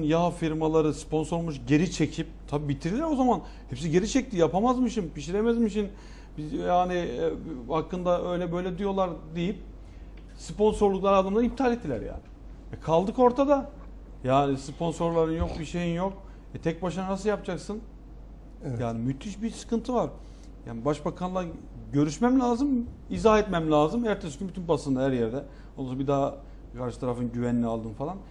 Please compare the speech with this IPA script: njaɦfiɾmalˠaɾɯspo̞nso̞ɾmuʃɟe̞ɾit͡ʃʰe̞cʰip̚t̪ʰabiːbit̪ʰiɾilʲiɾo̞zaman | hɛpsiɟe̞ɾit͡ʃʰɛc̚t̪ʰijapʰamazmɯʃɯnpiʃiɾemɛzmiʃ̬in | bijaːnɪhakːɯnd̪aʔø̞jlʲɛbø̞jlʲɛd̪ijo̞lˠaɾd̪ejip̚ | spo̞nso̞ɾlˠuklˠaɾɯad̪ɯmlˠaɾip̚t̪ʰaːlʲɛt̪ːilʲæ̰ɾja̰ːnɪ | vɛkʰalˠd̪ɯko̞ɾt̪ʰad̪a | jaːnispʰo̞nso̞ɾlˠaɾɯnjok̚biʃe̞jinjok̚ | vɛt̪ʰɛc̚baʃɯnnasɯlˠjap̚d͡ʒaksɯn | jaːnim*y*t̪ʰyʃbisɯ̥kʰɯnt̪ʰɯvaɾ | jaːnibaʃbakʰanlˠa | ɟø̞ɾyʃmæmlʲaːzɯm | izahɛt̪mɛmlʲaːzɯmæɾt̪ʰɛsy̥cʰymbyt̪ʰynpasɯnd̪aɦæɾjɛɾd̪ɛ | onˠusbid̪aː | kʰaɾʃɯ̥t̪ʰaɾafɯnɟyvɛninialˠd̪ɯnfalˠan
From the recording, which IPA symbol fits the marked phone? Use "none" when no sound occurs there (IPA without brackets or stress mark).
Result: y